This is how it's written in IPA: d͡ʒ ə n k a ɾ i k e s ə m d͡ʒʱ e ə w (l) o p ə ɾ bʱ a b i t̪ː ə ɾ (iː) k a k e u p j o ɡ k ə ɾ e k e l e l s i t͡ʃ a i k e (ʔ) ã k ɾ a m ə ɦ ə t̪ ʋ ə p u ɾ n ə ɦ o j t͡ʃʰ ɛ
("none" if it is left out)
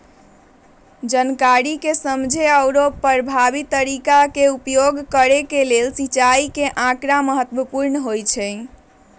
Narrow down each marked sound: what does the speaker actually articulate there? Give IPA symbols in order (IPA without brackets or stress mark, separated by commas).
ɾ, i, ʔ